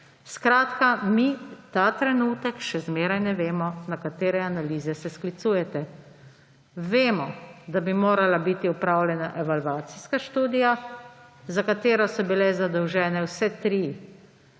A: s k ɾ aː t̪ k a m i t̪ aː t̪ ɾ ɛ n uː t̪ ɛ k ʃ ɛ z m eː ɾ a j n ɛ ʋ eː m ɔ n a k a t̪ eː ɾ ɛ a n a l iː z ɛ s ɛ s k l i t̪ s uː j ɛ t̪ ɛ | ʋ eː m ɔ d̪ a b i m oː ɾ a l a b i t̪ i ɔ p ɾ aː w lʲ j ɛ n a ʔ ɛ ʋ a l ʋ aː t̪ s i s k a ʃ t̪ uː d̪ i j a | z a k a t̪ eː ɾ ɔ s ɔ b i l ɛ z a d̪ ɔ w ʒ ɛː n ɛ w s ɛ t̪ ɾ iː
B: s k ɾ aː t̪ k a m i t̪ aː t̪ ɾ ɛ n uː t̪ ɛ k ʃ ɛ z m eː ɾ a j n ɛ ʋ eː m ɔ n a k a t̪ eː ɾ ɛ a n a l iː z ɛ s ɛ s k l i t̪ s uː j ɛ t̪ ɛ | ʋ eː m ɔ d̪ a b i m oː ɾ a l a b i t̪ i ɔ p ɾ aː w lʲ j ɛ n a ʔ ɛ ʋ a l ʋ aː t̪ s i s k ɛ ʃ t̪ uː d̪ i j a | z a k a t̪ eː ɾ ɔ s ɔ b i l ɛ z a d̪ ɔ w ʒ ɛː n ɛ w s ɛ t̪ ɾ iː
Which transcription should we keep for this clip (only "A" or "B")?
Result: A